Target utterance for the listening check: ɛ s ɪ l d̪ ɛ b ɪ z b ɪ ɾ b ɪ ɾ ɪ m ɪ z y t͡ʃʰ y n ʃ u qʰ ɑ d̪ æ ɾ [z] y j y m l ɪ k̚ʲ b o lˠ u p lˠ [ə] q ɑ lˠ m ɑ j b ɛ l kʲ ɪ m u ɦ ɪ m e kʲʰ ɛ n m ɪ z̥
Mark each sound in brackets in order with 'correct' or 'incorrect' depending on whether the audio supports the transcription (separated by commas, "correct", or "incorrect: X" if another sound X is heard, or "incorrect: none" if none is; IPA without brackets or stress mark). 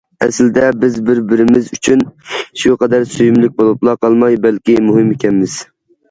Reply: incorrect: s, incorrect: ɑ